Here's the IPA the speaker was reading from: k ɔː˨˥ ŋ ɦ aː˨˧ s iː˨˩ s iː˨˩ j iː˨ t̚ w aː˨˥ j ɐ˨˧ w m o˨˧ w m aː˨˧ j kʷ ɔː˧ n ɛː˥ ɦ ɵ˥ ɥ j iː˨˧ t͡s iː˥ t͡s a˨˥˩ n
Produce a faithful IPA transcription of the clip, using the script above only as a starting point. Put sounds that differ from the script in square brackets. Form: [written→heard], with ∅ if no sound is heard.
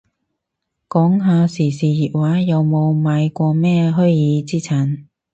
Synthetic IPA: k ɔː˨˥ ŋ ɦ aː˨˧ s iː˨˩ s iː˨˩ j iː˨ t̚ w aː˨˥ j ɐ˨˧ w m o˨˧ w m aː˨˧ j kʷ ɔː˧ [n→m] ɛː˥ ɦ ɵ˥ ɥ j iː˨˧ t͡s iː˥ [t͡s→t͡sʰ] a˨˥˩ n